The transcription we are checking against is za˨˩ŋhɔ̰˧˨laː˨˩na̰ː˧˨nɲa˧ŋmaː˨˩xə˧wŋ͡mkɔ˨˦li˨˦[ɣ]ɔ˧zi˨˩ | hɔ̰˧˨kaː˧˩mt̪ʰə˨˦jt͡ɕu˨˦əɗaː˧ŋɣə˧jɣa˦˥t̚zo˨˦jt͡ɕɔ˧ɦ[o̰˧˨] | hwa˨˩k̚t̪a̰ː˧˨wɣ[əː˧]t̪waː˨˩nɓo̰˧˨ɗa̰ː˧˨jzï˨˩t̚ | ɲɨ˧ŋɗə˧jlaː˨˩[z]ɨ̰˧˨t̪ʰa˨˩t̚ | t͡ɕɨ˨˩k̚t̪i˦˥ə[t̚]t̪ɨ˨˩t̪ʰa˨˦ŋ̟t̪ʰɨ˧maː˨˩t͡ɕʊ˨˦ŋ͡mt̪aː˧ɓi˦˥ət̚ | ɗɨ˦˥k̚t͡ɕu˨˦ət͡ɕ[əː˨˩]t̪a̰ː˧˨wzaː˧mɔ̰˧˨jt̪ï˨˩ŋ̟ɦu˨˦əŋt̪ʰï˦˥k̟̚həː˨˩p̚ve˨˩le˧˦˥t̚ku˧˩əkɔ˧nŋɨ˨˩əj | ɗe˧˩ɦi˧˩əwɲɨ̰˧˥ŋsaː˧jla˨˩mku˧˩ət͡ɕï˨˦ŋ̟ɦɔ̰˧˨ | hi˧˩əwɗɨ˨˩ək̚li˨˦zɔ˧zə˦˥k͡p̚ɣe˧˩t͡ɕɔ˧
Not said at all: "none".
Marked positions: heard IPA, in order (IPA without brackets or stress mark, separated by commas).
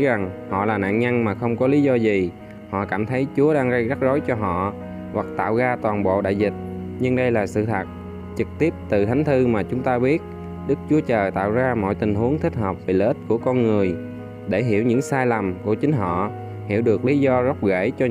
z, ɔ̰˧˨, aː˧, s, p̚, əː˨˩